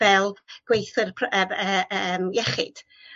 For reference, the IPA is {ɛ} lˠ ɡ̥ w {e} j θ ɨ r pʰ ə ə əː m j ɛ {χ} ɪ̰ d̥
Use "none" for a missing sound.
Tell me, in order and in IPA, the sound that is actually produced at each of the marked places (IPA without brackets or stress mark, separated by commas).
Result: ɛ, e, χ